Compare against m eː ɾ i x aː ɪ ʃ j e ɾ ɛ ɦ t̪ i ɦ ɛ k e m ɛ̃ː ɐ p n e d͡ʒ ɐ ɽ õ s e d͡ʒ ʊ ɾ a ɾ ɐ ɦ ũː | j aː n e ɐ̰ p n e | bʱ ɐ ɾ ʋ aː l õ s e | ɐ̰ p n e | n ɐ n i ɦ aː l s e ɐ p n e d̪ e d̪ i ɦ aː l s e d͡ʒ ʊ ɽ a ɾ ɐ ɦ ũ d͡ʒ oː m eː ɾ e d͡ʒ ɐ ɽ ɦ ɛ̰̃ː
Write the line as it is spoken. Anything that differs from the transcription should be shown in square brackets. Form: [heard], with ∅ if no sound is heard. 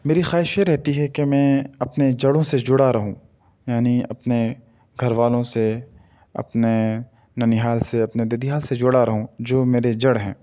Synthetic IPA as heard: m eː ɾ i x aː ɪ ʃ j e ɾ ɛ ɦ t̪ i ɦ ɛ k e m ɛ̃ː ɐ p n e d͡ʒ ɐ ɽ õ s e d͡ʒ ʊ [ɽ] a ɾ ɐ ɦ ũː | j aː n [i] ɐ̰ p n e | [ɡʱ] ɐ ɾ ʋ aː l õ s e | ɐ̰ p n e | n ɐ n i ɦ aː l s e ɐ p n e d̪ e d̪ i ɦ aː l s e d͡ʒ ʊ ɽ a ɾ ɐ ɦ ũ d͡ʒ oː m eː ɾ e d͡ʒ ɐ ɽ ɦ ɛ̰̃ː